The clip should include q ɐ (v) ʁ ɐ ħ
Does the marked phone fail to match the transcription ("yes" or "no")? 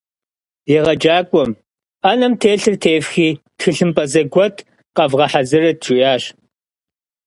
no